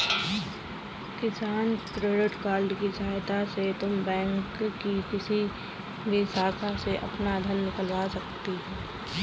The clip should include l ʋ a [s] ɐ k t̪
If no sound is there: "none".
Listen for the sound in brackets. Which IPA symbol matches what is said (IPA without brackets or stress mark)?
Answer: s